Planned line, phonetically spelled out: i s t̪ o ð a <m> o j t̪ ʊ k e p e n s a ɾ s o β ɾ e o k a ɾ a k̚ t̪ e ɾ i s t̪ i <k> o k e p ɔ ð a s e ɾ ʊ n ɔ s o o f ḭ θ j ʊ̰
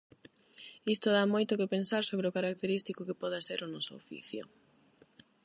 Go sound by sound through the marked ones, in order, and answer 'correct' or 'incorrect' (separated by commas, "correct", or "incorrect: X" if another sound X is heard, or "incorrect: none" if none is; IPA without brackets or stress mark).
correct, correct